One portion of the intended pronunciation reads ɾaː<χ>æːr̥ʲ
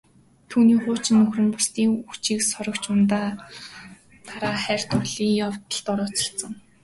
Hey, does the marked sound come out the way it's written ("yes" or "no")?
yes